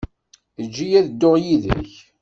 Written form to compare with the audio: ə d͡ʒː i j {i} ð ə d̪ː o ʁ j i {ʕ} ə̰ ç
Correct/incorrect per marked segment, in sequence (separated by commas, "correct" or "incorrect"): incorrect, incorrect